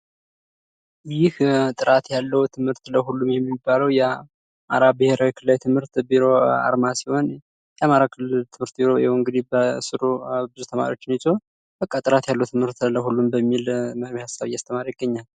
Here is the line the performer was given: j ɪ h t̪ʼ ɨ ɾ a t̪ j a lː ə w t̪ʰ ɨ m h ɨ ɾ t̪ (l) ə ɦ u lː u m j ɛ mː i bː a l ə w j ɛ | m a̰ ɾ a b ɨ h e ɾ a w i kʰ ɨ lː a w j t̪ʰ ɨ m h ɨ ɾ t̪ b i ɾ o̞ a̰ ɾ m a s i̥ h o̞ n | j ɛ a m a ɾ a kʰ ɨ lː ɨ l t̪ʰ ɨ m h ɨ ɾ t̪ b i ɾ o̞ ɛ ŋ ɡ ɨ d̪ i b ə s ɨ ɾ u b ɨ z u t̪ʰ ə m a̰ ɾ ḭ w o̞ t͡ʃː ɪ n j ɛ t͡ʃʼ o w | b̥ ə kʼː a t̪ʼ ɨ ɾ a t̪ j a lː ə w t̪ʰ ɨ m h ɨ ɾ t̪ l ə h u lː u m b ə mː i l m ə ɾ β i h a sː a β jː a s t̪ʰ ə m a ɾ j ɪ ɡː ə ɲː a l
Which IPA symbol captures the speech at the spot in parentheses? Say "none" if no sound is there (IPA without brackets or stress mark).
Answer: l